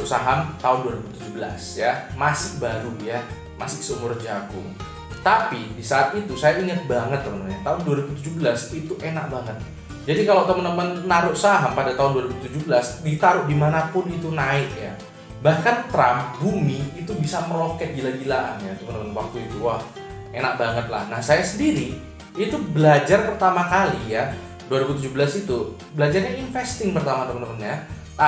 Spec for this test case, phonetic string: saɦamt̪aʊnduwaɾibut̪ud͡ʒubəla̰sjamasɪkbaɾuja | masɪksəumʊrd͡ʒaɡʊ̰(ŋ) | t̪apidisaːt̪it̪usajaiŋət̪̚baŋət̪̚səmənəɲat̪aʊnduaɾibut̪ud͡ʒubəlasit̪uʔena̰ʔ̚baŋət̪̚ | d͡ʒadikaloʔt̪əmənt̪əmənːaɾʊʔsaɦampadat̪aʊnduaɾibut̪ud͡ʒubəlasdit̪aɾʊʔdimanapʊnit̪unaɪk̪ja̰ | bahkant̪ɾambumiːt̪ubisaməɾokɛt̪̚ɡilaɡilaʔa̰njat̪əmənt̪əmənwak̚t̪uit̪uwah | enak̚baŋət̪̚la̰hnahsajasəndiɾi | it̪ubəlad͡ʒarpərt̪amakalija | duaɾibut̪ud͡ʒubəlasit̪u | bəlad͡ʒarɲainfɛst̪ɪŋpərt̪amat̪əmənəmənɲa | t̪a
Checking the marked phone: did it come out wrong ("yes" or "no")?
no